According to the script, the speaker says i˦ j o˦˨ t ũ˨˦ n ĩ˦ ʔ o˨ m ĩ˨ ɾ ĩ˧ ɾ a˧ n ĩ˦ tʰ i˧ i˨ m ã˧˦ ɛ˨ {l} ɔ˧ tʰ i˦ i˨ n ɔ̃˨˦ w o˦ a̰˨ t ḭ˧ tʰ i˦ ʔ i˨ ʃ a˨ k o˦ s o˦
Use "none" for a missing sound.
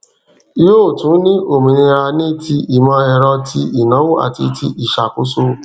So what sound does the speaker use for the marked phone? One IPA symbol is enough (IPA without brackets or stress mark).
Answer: ɾ